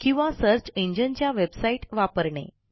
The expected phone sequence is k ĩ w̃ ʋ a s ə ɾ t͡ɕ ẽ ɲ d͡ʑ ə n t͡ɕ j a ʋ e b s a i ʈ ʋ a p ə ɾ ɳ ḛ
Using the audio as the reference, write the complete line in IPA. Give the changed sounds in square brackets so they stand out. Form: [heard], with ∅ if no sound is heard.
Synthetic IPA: k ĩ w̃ ʋ a s ə ɾ t͡ɕ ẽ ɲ d͡ʑ ə n t͡ɕ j a ʋ e b s a i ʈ ʋ a p ə ɾ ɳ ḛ